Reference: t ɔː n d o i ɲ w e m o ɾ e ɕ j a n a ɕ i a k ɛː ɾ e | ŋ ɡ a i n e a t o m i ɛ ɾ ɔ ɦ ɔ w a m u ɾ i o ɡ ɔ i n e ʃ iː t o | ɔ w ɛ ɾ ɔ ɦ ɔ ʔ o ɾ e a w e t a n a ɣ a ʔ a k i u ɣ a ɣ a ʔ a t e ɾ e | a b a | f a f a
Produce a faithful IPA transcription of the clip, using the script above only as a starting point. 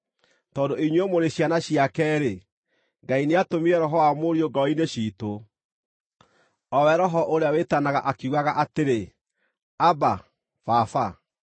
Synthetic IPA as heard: t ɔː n d o i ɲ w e m o ɾ e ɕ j a n a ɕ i a k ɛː ɾ e | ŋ ɡ a i n e a t o m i ɛ ɾ ɔ ɦ ɔ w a m o ɾ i o ɡ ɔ i n e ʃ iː t o | ɔ w ɛ ɾ ɔ ɦ ɔ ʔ o ɾ e a w e t a n a ɣ a ʔ a k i u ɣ a ɣ a ʔ a t e ɾ e | a b a | f a f a